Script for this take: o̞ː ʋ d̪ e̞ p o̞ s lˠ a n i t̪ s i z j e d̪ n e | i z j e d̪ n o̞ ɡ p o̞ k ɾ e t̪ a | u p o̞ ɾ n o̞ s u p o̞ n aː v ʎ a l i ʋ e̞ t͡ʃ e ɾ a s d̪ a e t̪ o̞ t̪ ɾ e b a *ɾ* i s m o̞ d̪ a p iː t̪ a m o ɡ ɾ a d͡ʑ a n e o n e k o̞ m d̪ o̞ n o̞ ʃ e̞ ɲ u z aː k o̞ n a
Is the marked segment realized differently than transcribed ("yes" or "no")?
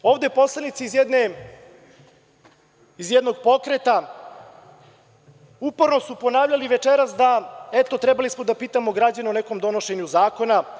yes